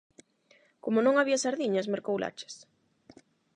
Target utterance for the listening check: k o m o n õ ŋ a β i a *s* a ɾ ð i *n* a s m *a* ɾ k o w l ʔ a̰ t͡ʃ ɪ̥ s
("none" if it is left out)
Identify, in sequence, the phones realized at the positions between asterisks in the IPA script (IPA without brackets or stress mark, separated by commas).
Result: s, ɲ, e